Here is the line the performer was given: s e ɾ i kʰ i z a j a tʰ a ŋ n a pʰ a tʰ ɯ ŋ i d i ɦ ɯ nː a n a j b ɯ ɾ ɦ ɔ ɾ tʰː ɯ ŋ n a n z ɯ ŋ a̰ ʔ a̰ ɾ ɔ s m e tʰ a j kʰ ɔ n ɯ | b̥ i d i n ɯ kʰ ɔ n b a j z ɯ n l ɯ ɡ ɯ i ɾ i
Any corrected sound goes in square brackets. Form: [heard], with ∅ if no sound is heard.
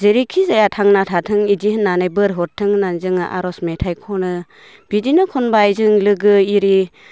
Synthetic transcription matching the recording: [z] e ɾ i kʰ i z a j a tʰ a ŋ n a [tʰ] a tʰ ɯ ŋ i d i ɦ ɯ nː a n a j b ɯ ɾ ɦ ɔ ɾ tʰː ɯ ŋ n a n z ɯ ŋ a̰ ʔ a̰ ɾ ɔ s m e tʰ a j kʰ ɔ n ɯ | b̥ i d i n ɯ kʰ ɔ n b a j z ɯ [ŋ] l ɯ ɡ ɯ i ɾ i

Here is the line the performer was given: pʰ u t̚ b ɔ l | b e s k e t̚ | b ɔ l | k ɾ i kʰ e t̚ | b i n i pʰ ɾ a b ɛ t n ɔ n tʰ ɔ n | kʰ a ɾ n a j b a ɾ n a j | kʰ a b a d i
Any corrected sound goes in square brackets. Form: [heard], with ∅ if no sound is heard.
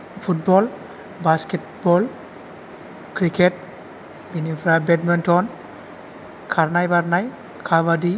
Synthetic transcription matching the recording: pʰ u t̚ b ɔ l | b [a] s k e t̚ | b ɔ l | k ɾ i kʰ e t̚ | b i n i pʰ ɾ a b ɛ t [m] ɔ n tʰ ɔ n | kʰ a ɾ n a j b a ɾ n a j | kʰ a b a d i

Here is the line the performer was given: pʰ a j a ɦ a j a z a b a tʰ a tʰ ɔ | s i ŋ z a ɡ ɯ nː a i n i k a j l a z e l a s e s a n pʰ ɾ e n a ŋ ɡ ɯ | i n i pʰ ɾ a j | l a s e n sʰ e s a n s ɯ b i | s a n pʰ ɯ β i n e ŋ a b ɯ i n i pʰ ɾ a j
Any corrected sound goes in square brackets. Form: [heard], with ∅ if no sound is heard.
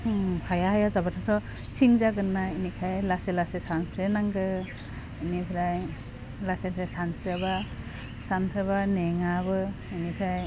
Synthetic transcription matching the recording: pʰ a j a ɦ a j a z a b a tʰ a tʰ ɔ | s i ŋ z a ɡ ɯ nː a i n i [kʰ] a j l a [s] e l a s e s a n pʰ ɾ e n a ŋ ɡ ɯ | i n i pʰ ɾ a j | l a s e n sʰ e s a n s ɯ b [a] | s a n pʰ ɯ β [a] n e ŋ a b ɯ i n i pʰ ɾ a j

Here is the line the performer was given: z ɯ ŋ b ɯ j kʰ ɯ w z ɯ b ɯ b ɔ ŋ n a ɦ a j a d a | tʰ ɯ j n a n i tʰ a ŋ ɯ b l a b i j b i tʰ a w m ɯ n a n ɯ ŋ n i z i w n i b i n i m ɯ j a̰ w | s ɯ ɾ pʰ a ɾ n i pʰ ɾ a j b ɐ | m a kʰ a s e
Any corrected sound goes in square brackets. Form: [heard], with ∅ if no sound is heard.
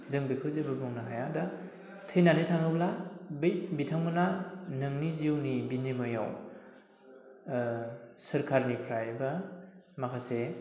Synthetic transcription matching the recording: z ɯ ŋ b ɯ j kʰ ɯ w z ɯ b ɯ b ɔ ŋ n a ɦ a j a d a | tʰ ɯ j n a n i tʰ a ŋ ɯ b l a b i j b i tʰ a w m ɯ n a n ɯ ŋ n i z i w n i b i n i m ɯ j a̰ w | s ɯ ɾ [kʰ] a ɾ n i pʰ ɾ a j b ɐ | m a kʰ a s e

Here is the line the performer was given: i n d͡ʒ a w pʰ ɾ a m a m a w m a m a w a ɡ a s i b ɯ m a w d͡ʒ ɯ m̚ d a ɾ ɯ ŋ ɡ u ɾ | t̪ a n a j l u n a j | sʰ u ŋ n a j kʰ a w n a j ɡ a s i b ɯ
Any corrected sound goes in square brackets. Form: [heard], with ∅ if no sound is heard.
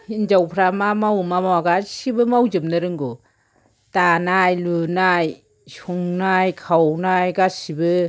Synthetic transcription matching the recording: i n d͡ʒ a w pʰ ɾ a m a m a w m a m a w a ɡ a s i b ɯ m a w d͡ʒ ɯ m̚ [n] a ɾ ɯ ŋ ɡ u [∅] | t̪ a n a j l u n a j | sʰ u ŋ n a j kʰ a w n a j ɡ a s i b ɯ

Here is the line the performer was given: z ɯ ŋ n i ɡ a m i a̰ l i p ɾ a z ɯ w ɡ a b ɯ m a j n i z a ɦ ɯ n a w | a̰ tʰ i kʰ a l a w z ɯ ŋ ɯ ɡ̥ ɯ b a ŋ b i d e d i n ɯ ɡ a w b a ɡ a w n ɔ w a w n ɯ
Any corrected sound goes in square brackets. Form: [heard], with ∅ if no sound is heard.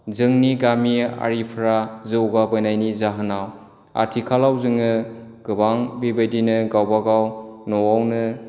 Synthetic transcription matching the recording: z ɯ ŋ n i ɡ a m i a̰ [ɾ] i [pʰ] ɾ a z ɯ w ɡ a b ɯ [n] a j n i z a ɦ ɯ n a w | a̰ tʰ i kʰ a l a w z ɯ ŋ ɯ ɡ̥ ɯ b a ŋ b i [b] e d i n ɯ ɡ a w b a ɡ a w n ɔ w a w n ɯ

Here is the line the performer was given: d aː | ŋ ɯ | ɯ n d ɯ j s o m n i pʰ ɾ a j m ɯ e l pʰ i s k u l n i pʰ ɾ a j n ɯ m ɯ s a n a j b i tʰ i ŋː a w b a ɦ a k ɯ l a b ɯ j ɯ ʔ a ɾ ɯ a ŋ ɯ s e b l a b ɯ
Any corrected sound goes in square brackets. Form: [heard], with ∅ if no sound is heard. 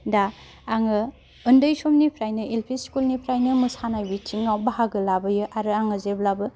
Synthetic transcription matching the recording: d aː | ŋ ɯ | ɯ n d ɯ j s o m n i pʰ ɾ a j [n] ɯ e l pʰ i s k u l n i pʰ ɾ a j n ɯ m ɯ s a n a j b i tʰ i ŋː a w b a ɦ a [ɡ] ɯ l a b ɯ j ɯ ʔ a ɾ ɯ a ŋ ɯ [z] e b l a b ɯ

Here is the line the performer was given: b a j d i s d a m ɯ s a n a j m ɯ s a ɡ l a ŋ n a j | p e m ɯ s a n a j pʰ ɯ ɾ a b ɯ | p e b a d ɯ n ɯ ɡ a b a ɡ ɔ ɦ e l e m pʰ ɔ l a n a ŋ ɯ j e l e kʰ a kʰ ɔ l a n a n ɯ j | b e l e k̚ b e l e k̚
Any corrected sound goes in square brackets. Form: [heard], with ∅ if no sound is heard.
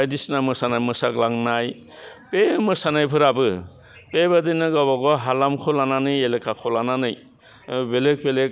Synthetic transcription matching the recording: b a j d i s [n] a m ɯ s a n a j m ɯ s a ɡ l a ŋ n a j | p e m ɯ s a n a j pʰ ɯ ɾ a b ɯ | p e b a d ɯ n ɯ ɡ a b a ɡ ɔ ɦ [a] l [a] m [kʰ] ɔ l a n a [n] ɯ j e l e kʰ a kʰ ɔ l a n a n ɯ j | b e l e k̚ b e l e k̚

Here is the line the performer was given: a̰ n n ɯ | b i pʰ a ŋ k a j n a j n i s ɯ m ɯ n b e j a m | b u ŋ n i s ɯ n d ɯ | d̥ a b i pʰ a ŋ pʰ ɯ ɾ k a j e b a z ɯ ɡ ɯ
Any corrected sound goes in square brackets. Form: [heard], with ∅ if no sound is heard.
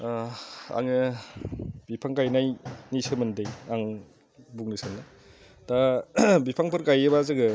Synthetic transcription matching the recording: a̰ [ŋ] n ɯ | b i pʰ a ŋ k a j n a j n i s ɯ m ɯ n [d] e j a [ŋ] | b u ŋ n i s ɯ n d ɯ | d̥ a b i pʰ a ŋ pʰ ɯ ɾ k a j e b a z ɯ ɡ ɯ

